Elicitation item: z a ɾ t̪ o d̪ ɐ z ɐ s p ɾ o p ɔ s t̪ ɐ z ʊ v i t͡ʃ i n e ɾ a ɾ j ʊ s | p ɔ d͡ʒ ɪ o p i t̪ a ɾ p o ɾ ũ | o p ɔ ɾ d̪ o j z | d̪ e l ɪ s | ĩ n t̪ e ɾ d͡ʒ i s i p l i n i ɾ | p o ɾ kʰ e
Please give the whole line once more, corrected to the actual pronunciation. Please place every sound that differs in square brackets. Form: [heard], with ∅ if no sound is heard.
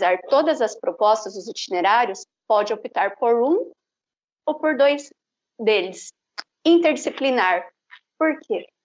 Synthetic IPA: z a ɾ t̪ o d̪ ɐ z ɐ s p ɾ o p ɔ s t̪ ɐ z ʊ [z] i t͡ʃ i n e ɾ a ɾ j ʊ s | p ɔ d͡ʒ ɪ o p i t̪ a ɾ p o ɾ ũ | o p [o] ɾ d̪ o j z | d̪ e l ɪ s | ĩ n t̪ e ɾ d͡ʒ i s i p l i n [a] ɾ | p o ɾ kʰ e